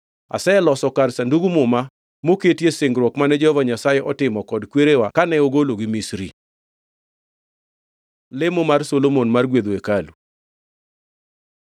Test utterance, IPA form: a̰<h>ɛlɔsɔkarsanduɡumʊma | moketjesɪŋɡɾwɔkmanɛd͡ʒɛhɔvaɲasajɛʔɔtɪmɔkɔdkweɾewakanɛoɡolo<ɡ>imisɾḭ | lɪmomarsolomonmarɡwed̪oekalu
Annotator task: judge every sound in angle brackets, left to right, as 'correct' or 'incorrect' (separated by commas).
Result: incorrect, correct